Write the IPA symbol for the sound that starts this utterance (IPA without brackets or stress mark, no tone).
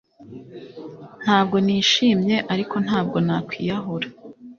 n̥